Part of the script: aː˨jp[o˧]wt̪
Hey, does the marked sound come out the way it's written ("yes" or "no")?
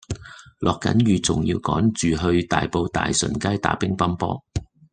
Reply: yes